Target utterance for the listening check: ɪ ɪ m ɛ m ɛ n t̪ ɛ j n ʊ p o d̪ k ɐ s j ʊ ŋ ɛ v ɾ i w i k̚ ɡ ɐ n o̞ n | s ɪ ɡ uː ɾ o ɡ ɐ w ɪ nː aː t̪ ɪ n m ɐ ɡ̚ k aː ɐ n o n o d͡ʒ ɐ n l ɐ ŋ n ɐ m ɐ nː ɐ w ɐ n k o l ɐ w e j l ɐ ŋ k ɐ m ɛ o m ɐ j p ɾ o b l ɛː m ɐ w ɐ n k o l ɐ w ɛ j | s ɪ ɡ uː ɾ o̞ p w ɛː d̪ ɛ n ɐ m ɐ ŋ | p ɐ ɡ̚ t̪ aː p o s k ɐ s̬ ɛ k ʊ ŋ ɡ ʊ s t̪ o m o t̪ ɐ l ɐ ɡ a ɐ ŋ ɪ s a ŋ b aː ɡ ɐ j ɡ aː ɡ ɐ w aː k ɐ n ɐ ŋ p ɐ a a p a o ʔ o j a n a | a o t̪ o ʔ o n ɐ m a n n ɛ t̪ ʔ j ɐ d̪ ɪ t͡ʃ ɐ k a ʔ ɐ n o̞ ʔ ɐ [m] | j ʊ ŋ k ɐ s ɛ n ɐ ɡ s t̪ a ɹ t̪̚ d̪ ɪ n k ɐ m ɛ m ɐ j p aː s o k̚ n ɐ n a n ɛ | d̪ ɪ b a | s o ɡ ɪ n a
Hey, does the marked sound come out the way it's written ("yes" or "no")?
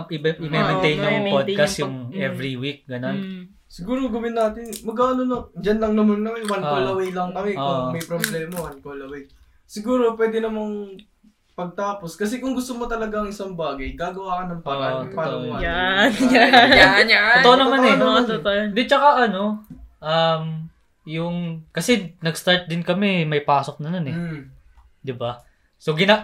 yes